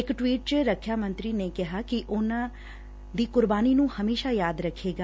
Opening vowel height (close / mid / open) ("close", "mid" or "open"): close